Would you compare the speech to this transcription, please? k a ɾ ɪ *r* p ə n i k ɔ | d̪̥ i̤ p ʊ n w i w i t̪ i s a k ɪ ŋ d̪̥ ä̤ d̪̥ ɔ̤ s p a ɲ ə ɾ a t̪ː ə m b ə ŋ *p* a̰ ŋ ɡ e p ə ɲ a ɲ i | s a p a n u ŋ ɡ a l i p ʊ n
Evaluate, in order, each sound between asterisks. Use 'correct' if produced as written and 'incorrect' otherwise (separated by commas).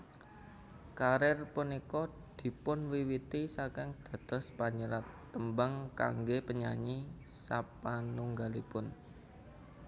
correct, incorrect